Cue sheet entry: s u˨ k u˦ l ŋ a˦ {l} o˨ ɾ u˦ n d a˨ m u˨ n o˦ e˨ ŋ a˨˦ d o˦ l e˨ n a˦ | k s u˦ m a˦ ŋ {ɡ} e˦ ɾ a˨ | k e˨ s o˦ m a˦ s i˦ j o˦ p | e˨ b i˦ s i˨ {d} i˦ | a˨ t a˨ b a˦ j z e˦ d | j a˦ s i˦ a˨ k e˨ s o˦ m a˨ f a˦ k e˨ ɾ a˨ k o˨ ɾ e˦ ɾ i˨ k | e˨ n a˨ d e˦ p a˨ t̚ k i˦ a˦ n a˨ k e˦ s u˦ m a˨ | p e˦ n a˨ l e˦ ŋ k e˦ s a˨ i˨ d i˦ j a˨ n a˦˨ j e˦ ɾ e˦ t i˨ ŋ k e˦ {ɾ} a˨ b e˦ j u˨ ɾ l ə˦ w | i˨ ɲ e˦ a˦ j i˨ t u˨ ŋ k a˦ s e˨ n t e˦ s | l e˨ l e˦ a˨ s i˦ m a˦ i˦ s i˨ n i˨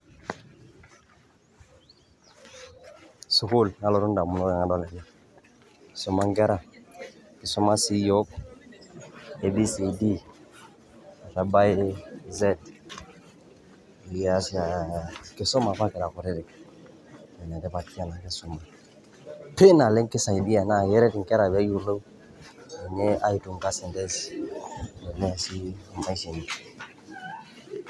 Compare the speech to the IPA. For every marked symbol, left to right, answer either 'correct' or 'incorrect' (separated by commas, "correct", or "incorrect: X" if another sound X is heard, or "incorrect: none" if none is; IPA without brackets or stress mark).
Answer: correct, correct, correct, correct